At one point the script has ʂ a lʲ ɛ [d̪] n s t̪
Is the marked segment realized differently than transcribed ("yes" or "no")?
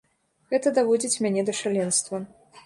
yes